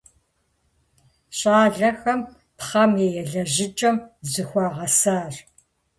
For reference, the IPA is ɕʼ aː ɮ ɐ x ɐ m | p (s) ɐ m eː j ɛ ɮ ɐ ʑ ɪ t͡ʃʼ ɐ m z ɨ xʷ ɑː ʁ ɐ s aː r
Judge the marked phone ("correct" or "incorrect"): incorrect